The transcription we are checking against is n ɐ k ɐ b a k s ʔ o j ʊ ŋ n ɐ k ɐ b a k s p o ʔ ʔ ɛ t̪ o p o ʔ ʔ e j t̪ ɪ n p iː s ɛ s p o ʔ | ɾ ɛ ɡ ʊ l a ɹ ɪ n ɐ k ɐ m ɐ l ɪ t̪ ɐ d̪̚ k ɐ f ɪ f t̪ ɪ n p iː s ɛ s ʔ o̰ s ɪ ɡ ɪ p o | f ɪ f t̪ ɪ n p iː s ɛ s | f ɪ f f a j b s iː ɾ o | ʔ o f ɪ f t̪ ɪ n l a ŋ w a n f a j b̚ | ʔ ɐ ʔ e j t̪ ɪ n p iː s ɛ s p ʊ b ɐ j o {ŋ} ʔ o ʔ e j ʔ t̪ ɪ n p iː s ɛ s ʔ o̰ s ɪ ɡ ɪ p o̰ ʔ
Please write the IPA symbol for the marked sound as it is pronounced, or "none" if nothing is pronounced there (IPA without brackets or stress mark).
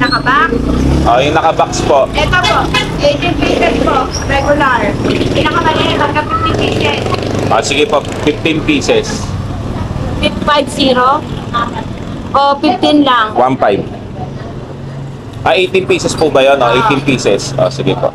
n